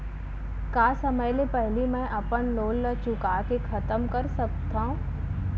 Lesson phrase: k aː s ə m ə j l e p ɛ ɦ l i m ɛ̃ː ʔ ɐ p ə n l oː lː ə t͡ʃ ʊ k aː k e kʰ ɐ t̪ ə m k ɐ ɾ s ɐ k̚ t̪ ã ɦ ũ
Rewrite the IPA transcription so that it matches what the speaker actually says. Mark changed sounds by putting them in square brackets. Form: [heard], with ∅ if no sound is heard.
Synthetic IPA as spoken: k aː s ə m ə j l e p ɛ ɦ l i m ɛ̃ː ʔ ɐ p ə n l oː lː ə t͡ʃ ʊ k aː k e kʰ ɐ t̪ ə m k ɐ ɾ s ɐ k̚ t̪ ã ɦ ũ